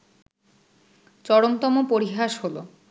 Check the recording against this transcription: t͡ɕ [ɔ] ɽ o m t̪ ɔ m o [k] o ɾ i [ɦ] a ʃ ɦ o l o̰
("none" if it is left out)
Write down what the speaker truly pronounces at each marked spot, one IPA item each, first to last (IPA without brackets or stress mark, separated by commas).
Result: ɔ, p, ɦ